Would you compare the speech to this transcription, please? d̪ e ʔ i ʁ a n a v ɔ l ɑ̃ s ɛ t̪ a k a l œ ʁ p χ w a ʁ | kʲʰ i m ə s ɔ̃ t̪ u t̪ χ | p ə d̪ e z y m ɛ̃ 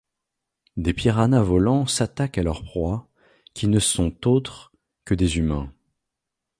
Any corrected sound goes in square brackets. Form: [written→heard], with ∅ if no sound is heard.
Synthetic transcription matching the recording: d̪ e [ʔ→p] i ʁ a n a v ɔ l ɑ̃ s [ɛ→a] t̪ a k a l œ ʁ p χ w a [ʁ→∅] | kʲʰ i [m→n] ə s ɔ̃ t̪ [u→o] t̪ χ | [p→k] ə d̪ e z y m ɛ̃